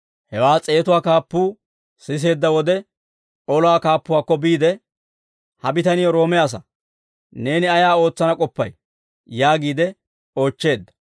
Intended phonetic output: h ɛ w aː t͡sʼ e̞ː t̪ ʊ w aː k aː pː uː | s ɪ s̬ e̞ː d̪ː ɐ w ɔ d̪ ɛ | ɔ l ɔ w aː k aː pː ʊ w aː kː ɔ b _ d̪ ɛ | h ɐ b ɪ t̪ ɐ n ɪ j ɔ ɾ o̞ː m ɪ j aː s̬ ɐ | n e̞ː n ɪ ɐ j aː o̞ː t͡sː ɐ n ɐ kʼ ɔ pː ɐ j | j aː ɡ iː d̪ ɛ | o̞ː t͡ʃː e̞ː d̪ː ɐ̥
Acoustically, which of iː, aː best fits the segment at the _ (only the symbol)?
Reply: iː